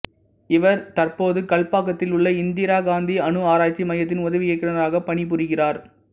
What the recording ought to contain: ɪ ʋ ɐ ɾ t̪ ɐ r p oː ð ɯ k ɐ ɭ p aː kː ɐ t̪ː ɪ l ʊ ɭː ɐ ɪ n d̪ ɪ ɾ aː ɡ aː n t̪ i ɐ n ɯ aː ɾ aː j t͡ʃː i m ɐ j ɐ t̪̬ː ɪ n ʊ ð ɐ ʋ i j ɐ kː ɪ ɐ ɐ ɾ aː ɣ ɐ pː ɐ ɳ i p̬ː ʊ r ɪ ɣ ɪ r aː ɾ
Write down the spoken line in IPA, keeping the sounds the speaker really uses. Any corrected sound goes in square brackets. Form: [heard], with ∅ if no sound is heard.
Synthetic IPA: ɪ ʋ ɐ ɾ t̪ ɐ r p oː ð ɯ k ɐ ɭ p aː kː ɐ t̪ː ɪ l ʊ ɭː ɐ ɪ n d̪ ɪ ɾ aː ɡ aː n [d̪] i ɐ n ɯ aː ɾ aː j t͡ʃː i m ɐ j ɐ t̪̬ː ɪ n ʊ ð ɐ ʋ [ɪ] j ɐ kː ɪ ɐ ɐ ɾ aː ɣ ɐ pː ɐ ɳ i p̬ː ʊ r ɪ ɣ ɪ r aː ɾ

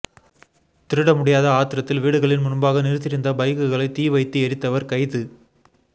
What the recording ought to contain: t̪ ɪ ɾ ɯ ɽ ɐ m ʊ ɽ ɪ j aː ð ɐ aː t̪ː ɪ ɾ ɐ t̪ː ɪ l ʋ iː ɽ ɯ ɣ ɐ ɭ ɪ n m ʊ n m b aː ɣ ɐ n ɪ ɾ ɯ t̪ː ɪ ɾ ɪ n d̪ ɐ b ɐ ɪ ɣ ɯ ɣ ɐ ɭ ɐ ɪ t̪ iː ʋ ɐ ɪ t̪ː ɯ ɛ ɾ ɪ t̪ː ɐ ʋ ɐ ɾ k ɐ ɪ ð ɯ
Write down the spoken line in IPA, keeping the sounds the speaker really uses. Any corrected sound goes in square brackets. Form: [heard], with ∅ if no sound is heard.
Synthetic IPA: t̪ ɪ ɾ ɯ ɽ ɐ m ʊ ɽ ɪ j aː ð ɐ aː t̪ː ɪ ɾ ɐ t̪ː ɪ l ʋ iː ɽ ɯ ɣ ɐ ɭ ɪ n m ʊ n m b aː ɣ ɐ n ɪ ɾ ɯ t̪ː ɪ ɾ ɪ n d̪ ɐ b ɐ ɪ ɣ ɯ ɣ ɐ ɭ ɐ ɪ t̪ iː ʋ ɐ ɪ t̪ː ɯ ɛ ɾ ɪ t̪ː ɐ ʋ ɐ ɾ k ɐ ɪ ð ɯ

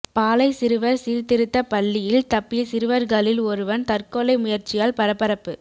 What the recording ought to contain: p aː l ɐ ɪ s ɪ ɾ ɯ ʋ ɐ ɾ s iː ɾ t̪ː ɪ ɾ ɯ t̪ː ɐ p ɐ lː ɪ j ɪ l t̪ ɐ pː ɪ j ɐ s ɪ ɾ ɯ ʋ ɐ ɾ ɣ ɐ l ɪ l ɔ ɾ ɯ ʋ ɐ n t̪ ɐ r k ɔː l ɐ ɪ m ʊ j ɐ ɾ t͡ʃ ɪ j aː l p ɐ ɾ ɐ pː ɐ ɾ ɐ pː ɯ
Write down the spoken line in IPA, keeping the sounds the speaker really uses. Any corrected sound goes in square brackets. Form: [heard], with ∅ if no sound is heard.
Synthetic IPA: p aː l ɐ ɪ s ɪ ɾ ɯ ʋ ɐ ɾ s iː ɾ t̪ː ɪ ɾ ɯ t̪ː ɐ p ɐ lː ɪ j ɪ l t̪ ɐ pː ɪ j ɐ s ɪ ɾ ɯ ʋ ɐ ɾ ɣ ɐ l ɪ l ɔ ɾ ɯ ʋ ɐ n t̪ ɐ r k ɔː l ɐ ɪ m ʊ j ɐ ɾ t͡ʃ ɪ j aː l p ɐ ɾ ɐ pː ɐ ɾ ɐ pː ɯ

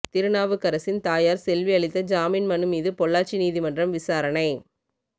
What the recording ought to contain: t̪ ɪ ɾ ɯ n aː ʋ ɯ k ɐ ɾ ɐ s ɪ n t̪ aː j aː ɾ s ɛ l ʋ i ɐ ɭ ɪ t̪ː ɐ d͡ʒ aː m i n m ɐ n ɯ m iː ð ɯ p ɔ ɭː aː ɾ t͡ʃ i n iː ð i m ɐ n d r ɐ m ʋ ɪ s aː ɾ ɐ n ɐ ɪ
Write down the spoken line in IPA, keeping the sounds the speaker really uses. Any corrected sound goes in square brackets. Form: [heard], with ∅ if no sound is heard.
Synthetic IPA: t̪ ɪ ɾ ɯ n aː ʋ ɯ k ɐ ɾ ɐ s ɪ n t̪ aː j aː ɾ s ɛ l ʋ i ɐ ɭ ɪ t̪ː ɐ d͡ʒ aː m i n m ɐ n ɯ m iː ð ɯ p ɔ ɭː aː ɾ t͡ʃ i n iː ð i m ɐ n d r ɐ m ʋ ɪ s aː ɾ ɐ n ɐ ɪ

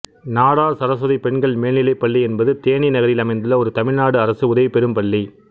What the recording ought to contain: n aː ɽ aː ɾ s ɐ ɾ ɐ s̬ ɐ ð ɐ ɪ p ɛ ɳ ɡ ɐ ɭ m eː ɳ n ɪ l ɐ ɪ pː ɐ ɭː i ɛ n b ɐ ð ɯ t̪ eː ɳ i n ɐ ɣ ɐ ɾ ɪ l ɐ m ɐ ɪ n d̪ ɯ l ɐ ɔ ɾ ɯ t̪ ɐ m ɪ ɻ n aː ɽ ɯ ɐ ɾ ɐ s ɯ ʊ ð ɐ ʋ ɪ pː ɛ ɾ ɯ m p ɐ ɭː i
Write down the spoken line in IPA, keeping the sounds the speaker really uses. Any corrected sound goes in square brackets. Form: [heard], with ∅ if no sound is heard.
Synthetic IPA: n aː ɽ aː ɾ s ɐ ɾ ɐ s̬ ɐ ð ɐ ɪ p ɛ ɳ ɡ ɐ ɭ m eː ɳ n ɪ l ɐ ɪ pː ɐ ɭː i ɛ n b ɐ ð ɯ t̪ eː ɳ i n ɐ ɣ ɐ ɾ ɪ l ɐ m ɐ ɪ n d̪ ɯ l ɐ ɔ ɾ ɯ t̪ ɐ m ɪ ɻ n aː ɽ ɯ ɐ ɾ ɐ s ɯ ʊ ð ɐ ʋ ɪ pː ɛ ɾ ɯ m p ɐ ɭː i

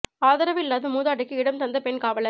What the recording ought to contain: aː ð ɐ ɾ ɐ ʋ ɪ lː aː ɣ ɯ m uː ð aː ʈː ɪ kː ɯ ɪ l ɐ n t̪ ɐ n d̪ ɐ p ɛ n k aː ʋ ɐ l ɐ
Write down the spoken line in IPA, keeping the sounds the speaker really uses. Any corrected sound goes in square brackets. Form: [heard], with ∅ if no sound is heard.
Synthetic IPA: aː ð ɐ ɾ ɐ ʋ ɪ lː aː [ð] ɯ m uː ð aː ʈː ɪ kː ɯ ɪ [ɽ] ɐ [m] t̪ ɐ n d̪ ɐ p ɛ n k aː ʋ ɐ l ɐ

